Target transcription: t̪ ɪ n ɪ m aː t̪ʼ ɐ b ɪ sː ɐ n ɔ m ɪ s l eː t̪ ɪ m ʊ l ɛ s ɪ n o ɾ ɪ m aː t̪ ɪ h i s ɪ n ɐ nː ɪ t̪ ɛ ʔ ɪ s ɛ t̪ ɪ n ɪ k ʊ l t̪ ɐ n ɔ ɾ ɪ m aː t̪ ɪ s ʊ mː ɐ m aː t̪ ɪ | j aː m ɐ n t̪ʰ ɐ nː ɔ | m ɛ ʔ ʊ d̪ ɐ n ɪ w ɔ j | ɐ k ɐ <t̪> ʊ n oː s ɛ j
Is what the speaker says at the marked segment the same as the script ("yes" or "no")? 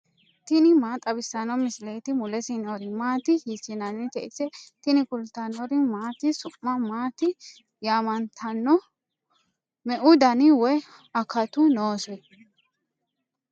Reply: yes